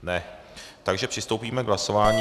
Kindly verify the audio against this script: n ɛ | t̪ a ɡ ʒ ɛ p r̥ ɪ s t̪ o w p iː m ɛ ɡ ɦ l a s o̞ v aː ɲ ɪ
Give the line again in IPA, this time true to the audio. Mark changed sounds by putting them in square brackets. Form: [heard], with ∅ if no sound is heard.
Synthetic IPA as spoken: n ɛ | t̪ a ɡ ʒ ɛ p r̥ ɪ s t̪ o w p iː m ɛ ɡ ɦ l a s o̞ v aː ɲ [i]